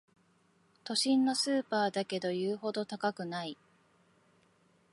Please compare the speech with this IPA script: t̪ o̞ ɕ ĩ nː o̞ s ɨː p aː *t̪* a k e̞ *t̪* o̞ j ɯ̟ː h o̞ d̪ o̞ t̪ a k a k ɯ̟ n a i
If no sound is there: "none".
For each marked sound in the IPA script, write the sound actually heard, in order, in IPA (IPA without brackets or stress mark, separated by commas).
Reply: d̪, d̪